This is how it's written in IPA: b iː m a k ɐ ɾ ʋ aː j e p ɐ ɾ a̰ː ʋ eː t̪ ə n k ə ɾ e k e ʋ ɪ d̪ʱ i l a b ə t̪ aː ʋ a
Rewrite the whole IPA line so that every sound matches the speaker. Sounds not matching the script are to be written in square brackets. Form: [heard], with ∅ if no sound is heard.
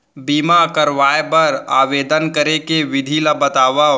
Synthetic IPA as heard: b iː m a k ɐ ɾ ʋ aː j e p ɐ ɾ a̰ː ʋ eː [d̪] ə n k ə ɾ e k e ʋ ɪ d̪ʱ i l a b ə t̪ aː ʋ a